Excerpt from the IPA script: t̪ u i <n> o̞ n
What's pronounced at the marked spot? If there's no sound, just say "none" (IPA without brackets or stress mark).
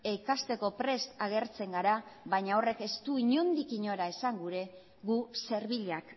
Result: ɲ